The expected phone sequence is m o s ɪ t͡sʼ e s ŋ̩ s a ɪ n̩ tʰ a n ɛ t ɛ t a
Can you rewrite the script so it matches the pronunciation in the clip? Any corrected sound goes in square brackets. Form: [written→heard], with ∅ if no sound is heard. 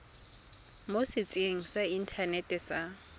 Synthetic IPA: m o s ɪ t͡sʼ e [s→∅] ŋ̩ s a [ɪ→i] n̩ tʰ a n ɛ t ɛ [t→s] a